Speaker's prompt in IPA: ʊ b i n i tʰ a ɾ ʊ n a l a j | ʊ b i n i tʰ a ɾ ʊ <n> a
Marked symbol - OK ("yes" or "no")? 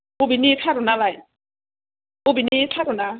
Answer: yes